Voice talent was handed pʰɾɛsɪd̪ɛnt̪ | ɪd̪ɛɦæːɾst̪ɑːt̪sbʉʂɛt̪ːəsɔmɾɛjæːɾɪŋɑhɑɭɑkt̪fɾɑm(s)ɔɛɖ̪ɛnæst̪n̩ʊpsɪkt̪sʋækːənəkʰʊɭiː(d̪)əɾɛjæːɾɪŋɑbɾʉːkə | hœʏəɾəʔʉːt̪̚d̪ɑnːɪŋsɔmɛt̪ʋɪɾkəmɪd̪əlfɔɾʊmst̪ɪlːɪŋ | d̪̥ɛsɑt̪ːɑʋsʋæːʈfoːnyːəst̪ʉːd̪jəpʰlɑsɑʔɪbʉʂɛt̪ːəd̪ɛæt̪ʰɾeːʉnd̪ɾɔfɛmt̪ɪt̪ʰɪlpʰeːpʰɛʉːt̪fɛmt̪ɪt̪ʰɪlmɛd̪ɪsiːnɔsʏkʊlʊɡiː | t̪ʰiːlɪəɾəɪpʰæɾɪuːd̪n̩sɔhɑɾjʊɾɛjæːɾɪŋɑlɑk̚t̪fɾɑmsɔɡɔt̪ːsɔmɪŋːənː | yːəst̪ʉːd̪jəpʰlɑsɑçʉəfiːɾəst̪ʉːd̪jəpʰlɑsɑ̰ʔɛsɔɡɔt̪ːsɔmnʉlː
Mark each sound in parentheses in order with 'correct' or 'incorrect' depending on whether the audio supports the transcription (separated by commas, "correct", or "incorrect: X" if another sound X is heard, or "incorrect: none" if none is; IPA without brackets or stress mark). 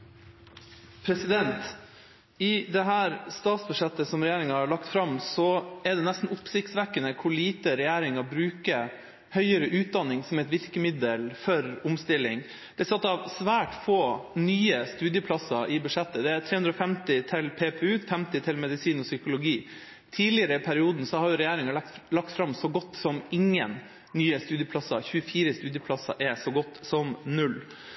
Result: correct, incorrect: t̪